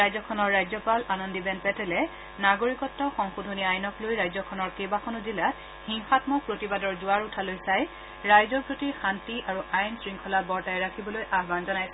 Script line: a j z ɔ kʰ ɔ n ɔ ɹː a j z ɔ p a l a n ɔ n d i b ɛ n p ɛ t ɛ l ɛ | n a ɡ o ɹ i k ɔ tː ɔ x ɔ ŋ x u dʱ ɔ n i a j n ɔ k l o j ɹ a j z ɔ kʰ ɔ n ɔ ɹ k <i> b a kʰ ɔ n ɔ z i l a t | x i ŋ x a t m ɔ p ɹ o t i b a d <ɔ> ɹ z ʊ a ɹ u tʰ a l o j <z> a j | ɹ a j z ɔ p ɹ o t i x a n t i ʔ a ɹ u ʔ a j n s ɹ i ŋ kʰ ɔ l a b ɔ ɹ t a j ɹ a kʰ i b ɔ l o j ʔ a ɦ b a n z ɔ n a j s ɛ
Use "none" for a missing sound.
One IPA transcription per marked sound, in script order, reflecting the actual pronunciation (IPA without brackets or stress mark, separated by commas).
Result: e, ɔ, s